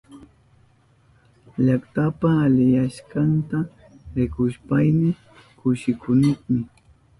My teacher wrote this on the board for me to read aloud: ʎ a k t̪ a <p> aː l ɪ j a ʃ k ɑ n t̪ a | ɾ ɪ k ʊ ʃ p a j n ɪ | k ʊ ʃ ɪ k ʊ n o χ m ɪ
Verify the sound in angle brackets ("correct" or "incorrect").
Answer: correct